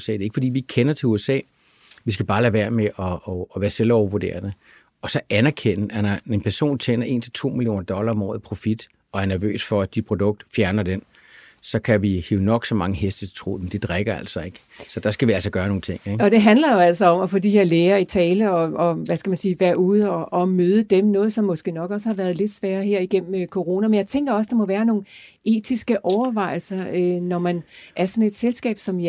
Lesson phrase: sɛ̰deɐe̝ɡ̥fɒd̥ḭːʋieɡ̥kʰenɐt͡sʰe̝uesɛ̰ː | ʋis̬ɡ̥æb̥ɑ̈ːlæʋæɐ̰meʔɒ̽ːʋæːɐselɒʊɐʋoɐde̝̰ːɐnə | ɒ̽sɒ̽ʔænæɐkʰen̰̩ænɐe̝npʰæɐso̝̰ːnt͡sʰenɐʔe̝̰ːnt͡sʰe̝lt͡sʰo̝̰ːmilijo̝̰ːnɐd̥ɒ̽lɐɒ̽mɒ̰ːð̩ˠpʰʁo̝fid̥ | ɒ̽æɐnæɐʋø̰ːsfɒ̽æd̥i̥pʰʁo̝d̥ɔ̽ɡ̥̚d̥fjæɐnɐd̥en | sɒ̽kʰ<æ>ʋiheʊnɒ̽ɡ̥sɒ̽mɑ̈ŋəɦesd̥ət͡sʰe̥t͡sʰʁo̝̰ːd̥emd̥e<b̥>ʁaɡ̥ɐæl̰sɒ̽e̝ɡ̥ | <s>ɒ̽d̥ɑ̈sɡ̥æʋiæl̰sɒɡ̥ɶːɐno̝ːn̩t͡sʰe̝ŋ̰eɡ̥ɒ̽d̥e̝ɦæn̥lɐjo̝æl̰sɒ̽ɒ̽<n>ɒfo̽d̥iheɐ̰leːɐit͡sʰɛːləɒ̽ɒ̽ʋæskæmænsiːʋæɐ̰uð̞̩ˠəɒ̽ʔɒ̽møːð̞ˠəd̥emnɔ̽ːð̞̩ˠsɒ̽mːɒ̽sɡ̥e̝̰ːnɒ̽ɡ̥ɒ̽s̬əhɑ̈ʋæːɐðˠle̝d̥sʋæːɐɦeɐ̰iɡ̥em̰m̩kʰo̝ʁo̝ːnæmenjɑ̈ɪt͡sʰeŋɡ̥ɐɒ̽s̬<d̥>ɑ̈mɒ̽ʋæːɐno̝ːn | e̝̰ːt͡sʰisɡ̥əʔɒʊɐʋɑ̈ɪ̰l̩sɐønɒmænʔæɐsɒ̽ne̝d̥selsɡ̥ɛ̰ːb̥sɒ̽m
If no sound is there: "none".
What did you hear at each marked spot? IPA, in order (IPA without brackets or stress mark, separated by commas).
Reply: æ, d̥, s, m, d̥